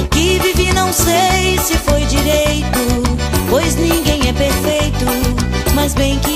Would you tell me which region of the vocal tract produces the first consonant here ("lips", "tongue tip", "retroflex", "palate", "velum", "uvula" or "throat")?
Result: velum